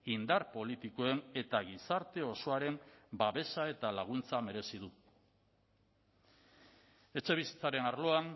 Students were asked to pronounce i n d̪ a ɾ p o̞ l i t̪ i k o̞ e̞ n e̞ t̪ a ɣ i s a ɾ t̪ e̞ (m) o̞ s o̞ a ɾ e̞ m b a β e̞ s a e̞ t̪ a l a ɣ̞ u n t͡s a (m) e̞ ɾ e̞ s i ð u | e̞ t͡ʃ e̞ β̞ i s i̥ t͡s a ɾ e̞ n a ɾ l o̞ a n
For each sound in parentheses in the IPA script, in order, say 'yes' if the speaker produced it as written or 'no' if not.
no, yes

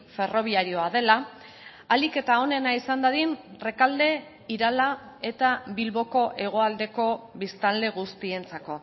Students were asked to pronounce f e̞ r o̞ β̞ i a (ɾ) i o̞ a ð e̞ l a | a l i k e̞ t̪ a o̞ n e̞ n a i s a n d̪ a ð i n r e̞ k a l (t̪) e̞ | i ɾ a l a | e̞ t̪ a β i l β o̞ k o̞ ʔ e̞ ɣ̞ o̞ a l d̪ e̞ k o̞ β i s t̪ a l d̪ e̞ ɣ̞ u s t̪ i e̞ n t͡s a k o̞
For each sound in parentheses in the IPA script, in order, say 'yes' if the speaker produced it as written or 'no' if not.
yes, no

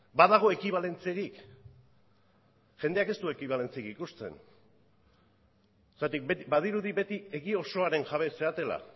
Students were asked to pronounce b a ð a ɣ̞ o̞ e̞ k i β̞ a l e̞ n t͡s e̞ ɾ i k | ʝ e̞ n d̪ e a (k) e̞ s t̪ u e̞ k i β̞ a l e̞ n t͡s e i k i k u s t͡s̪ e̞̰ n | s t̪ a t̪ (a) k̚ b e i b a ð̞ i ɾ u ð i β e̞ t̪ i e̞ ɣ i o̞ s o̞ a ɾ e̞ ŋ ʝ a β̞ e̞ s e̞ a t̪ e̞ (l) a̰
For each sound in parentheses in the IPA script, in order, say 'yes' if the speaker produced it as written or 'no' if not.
yes, no, yes

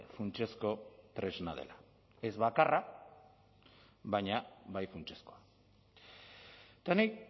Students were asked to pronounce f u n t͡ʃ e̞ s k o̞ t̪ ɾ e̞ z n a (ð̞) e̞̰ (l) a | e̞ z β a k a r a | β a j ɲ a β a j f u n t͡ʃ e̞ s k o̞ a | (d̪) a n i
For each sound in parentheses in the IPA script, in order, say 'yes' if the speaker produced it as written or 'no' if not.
yes, yes, no

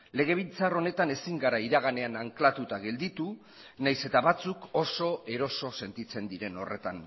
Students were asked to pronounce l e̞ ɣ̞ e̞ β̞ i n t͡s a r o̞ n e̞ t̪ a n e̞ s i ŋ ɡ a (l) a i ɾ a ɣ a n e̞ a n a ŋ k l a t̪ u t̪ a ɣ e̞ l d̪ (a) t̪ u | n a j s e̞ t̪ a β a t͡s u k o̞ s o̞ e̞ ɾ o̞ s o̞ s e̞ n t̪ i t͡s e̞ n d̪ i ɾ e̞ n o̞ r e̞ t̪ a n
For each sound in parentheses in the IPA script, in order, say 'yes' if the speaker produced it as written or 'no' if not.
no, no

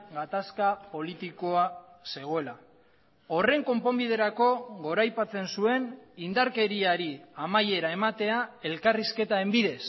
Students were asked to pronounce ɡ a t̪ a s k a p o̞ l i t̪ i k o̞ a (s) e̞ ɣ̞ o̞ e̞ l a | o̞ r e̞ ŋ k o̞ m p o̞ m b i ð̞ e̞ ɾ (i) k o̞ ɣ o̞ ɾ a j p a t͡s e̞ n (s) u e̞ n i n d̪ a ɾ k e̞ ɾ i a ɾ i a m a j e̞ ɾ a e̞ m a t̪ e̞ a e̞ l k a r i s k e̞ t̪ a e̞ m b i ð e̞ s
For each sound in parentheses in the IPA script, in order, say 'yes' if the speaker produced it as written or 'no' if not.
yes, no, yes

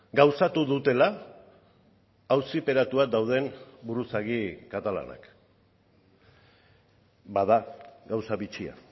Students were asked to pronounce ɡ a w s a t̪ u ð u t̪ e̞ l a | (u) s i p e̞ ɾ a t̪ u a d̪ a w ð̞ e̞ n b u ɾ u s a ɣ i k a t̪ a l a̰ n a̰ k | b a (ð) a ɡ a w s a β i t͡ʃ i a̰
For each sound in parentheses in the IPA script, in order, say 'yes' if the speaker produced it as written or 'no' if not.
no, yes

